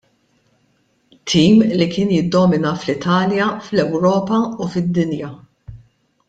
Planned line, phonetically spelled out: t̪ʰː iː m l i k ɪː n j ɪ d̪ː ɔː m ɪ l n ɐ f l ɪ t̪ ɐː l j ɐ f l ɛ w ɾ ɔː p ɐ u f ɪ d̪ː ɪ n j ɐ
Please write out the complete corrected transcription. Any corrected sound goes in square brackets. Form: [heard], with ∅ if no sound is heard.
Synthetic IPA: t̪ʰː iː m l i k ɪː n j ɪ d̪ː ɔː m ɪ [∅] n ɐ f l ɪ t̪ ɐː l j ɐ f l ɛ w ɾ ɔː p ɐ u f ɪ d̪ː ɪ n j ɐ